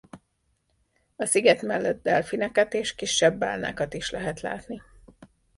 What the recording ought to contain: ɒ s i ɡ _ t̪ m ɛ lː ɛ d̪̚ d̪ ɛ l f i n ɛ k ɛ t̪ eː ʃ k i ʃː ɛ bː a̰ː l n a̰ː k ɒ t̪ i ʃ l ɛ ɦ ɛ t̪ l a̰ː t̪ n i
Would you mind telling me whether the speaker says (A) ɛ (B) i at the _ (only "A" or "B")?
A